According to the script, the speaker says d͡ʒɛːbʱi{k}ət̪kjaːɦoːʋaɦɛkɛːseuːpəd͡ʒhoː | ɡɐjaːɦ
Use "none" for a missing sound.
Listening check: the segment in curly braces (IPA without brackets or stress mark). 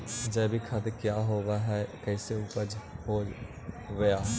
kʰ